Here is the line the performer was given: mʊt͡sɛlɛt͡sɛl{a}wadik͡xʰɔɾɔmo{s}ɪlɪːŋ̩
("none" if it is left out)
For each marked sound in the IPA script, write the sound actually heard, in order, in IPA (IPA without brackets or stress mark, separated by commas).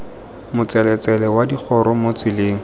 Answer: ɛ, t͡s